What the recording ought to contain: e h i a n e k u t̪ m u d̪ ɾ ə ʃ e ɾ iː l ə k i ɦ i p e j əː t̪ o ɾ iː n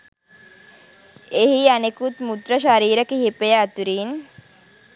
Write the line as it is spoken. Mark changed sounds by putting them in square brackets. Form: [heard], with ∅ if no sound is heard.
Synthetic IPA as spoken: e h i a n e k u t̪ m u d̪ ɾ ə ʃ [a] ɾ iː [ɾ] ə k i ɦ i p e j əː t̪ [u] ɾ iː n